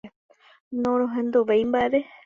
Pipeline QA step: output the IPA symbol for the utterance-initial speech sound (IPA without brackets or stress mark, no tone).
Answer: n